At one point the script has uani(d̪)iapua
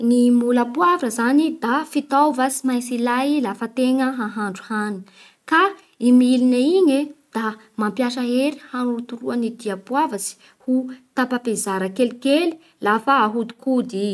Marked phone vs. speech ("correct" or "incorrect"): correct